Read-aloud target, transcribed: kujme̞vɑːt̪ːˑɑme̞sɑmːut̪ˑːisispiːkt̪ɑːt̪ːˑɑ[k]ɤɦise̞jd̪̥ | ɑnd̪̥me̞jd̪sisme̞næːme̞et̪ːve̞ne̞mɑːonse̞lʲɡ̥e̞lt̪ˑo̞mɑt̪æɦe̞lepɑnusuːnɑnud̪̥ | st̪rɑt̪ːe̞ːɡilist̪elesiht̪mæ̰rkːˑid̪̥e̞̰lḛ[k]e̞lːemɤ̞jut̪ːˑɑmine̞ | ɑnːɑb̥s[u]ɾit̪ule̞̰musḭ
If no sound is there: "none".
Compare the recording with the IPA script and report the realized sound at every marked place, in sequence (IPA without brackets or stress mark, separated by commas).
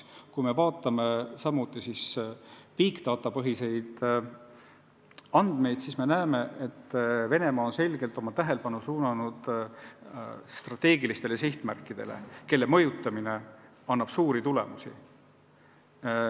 p, k, uː